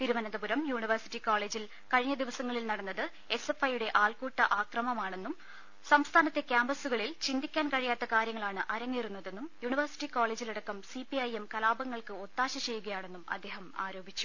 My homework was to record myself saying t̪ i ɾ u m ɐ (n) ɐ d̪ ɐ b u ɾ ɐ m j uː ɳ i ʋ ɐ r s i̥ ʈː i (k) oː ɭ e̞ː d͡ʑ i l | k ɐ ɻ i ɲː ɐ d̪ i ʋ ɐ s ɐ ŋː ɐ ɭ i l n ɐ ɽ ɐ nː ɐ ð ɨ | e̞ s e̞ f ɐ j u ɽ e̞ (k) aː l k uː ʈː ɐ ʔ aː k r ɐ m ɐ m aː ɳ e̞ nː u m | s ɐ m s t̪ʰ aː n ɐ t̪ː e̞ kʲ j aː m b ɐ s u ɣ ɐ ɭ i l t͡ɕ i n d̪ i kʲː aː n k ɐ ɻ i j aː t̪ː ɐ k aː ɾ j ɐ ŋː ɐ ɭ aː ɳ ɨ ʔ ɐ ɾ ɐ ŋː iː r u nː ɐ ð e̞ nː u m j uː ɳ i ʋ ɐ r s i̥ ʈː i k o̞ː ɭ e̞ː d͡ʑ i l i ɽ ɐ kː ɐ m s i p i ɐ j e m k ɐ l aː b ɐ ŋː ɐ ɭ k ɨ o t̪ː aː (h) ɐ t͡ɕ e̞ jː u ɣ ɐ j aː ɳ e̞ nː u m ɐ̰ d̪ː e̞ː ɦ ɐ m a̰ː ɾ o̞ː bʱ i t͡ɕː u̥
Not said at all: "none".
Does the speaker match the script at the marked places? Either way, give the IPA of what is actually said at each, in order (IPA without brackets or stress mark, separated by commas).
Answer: n, k, ʔ, ɕ